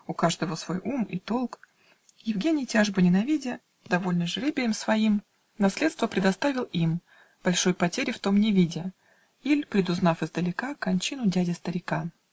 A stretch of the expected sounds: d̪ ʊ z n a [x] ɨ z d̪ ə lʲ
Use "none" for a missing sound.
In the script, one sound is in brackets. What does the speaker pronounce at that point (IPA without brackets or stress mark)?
f